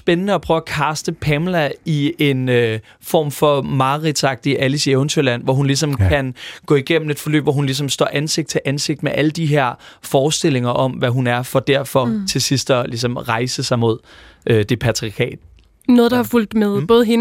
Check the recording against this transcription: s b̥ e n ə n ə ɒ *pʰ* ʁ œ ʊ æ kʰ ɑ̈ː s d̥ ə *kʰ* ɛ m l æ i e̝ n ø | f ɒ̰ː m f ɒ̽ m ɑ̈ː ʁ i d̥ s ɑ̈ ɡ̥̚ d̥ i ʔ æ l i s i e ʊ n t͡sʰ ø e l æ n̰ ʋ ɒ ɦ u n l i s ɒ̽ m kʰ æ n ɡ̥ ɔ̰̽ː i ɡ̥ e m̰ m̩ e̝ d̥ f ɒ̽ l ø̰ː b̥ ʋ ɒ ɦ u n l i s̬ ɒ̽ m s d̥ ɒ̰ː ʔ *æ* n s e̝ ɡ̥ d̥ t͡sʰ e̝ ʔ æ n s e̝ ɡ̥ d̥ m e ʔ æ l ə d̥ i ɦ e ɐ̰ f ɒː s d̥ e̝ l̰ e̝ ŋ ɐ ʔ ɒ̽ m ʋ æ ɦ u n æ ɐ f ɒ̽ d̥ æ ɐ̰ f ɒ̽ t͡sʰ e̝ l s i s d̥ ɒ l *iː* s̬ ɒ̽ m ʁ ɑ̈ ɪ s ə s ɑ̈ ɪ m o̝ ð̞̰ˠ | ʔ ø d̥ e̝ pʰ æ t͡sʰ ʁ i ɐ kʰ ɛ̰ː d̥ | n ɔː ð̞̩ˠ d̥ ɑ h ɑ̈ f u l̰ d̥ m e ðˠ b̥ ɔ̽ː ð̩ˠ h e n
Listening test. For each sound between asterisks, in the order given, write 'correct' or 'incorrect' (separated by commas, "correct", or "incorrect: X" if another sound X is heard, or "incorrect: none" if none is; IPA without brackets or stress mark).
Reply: correct, incorrect: pʰ, correct, incorrect: i